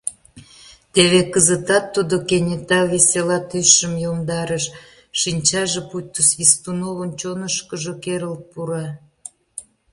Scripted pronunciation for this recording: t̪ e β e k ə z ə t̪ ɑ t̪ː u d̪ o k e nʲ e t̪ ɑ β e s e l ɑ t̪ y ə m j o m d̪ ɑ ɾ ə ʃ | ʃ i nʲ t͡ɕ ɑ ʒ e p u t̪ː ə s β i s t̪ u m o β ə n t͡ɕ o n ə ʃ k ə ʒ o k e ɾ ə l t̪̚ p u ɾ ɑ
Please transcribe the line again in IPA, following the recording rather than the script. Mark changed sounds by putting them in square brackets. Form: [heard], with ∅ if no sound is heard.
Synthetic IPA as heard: t̪ e β e k ə z ə t̪ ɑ t̪ː u d̪ o k e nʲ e t̪ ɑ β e s e l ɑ t̪ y ə m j o m d̪ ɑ ɾ ə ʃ | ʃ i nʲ t͡ɕ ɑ ʒ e p u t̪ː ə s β i s t̪ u [n] o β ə n t͡ɕ o n ə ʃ k ə ʒ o k e ɾ ə l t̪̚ p u ɾ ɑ

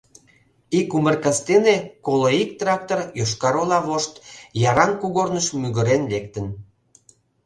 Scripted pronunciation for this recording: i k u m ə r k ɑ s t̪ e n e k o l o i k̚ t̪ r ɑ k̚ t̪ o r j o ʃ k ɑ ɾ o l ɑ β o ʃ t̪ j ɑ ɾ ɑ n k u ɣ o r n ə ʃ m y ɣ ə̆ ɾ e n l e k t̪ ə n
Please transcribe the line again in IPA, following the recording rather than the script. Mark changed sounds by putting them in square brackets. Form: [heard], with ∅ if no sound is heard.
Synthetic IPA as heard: i k u m ə r k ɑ s t̪ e n e k o l o i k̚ t̪ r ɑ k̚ t̪ o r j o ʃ k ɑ ɾ o l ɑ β o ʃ t̪ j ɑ ɾ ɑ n k u ɣ o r n ə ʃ m y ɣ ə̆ ɾ e n l e k t̪ ə n

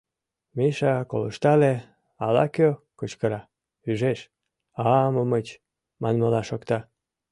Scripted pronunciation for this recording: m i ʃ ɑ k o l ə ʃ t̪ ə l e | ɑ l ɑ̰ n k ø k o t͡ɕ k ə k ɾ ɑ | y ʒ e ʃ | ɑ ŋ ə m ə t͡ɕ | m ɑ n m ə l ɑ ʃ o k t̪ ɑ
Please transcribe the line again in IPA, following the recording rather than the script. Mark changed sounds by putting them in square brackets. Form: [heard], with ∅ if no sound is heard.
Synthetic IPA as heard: m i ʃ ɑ k o l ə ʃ t̪ [ɑ] l e | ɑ l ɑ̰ [∅] k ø k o t͡ɕ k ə [∅] ɾ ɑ | y ʒ e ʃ | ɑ [m] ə m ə t͡ɕ | m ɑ n m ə l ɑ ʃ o k t̪ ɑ

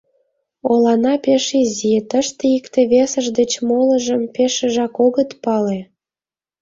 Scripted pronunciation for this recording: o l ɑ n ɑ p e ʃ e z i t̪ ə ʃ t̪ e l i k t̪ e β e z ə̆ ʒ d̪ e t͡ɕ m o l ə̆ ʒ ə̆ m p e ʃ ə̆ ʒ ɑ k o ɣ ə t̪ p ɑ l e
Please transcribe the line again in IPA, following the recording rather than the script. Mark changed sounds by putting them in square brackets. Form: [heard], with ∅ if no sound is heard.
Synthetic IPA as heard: o l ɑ n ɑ p e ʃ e z i t̪ ə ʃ t̪ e [∅] i k t̪ e β e [s] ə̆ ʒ d̪ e t͡ɕ m o l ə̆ ʒ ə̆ m p e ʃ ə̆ ʒ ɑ k o ɣ ə t̪ p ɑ l e

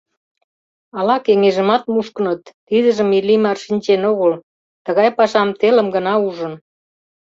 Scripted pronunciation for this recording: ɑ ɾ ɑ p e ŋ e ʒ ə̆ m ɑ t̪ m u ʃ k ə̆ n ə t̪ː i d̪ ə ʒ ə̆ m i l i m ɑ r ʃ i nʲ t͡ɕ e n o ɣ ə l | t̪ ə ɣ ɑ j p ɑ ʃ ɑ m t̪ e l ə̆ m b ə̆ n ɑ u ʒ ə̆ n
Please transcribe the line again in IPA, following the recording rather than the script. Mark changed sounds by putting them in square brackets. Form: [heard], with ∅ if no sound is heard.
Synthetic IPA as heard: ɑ [l] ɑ [k] e ŋ e ʒ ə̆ m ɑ t̪ m u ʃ k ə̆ n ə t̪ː i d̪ ə ʒ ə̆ m i l i m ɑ r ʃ i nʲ t͡ɕ e n o ɣ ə l | t̪ ə ɣ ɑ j p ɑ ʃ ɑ m t̪ e l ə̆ m [ɡ] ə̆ n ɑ u ʒ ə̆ n

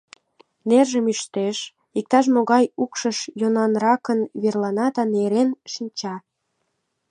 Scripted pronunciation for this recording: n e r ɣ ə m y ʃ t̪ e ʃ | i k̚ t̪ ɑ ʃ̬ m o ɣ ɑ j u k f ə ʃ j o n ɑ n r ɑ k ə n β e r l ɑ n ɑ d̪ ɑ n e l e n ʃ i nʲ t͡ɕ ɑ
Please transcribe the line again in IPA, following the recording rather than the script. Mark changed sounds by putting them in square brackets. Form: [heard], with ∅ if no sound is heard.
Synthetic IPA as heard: n e r [ʒ] ə m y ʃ t̪ e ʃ | i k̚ t̪ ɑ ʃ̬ m o ɣ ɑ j u k [ʃ] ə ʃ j o n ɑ n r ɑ k ə n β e r l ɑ n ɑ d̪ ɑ n e [ɾ] e n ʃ i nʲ t͡ɕ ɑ

